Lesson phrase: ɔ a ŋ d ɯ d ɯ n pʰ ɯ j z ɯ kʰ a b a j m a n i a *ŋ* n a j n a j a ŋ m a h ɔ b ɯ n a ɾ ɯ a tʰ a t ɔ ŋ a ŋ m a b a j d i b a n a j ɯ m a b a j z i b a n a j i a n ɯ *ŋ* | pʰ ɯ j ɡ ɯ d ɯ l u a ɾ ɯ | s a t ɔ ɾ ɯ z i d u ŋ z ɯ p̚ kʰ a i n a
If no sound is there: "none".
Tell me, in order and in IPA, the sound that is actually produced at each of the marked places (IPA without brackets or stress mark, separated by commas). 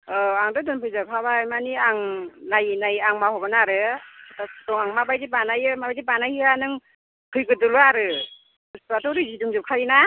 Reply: ŋ, ŋ